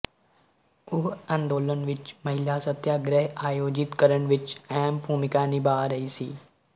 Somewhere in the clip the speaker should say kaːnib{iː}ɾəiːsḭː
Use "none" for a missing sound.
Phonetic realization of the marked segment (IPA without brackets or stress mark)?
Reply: aː